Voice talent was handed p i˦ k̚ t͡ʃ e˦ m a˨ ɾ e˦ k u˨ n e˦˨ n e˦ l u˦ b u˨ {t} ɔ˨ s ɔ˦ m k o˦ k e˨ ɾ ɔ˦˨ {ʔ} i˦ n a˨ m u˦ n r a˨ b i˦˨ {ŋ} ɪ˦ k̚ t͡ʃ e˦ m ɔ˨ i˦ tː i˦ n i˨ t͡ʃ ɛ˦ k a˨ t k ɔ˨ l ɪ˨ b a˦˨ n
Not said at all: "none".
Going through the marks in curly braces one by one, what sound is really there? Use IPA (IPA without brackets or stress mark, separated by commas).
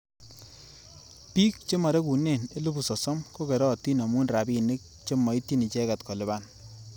s, t, n